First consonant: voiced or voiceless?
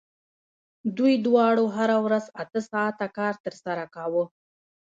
voiced